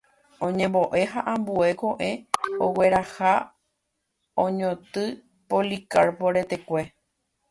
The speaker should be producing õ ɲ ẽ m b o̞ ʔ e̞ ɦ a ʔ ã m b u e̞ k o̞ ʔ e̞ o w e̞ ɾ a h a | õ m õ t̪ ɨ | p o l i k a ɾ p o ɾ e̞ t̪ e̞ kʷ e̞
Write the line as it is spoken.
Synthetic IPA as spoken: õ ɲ ẽ m b o̞ ʔ e̞ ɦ a ʔ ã m b u e̞ k o̞ ʔ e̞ o w e̞ ɾ a h a | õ ɲ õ t̪ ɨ | p o l i k a ɾ p o ɾ e̞ t̪ e̞ kʷ e̞